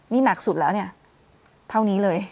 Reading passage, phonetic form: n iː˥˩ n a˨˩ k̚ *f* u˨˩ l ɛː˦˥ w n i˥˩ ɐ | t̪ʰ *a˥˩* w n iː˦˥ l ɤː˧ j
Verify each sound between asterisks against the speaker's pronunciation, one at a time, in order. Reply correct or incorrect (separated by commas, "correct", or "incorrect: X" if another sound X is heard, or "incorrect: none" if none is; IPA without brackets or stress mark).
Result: incorrect: s, correct